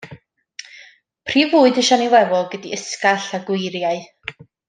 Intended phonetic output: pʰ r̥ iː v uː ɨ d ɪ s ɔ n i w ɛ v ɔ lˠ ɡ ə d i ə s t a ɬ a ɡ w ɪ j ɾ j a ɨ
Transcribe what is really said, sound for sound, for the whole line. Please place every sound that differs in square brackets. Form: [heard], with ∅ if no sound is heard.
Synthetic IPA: pʰ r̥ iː v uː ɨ d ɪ [ʃ] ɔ n i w ɛ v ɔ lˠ ɡ ə d i ə s [k] a ɬ a ɡ w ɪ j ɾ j a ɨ